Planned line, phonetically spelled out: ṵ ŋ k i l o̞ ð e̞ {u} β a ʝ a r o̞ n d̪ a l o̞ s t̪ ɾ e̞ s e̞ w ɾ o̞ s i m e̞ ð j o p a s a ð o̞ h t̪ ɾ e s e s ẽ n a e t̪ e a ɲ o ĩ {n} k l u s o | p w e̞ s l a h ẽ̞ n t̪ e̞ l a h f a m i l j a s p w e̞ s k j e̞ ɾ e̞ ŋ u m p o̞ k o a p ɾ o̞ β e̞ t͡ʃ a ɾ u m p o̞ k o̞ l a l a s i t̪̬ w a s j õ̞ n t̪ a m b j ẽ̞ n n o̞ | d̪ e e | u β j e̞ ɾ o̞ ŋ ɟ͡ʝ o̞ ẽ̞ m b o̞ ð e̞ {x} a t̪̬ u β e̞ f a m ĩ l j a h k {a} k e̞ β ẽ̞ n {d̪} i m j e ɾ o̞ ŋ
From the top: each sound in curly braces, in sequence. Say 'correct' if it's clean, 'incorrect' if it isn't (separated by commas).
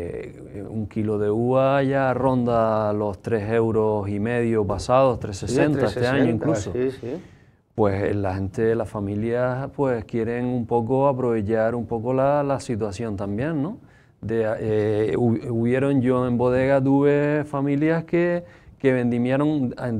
correct, incorrect, incorrect, incorrect, correct